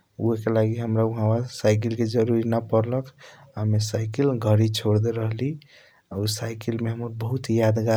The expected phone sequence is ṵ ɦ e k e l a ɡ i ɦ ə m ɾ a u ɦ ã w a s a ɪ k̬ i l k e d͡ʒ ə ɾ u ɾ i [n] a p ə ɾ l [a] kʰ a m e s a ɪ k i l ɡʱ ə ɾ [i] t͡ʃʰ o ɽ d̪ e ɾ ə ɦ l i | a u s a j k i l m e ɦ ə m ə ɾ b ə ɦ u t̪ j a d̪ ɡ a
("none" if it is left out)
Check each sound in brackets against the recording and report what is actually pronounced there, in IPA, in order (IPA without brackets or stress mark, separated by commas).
n, ə, i